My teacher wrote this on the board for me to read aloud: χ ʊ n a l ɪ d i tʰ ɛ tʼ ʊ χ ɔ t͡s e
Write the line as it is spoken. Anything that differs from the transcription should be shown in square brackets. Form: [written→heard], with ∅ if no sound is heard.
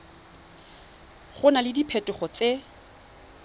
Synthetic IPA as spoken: χ ʊ n a l ɪ d i [tʰ→pʰ] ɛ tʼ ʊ χ ɔ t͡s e